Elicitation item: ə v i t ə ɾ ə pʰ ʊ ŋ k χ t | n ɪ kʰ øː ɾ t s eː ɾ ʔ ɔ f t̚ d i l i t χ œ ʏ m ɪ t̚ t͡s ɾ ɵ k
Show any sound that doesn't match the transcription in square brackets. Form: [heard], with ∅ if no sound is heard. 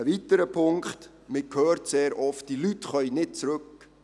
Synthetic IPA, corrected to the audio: ə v i t ə ɾ ə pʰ ʊ ŋ k χ t | [m] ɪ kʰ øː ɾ t s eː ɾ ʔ ɔ f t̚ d i l [y] t χ œ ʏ [n] ɪ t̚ t͡s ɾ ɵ k